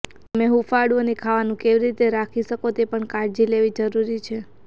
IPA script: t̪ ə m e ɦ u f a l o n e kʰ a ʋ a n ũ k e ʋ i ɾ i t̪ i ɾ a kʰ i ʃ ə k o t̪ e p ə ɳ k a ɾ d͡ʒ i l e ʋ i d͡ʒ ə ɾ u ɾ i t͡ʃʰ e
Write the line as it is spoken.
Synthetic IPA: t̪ ə m e ɦ u f a ɽ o n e kʰ a ʋ a n ũ k e ʋ i ɾ i t̪ e ɾ a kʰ i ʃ ə k o t̪ e p ə ɳ k a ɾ d͡ʒ i l e ʋ i d͡ʒ ə ɾ u ɾ i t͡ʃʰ e